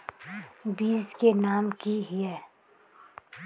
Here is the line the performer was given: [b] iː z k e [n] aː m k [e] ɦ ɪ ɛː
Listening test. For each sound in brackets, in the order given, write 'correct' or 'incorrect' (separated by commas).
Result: correct, correct, incorrect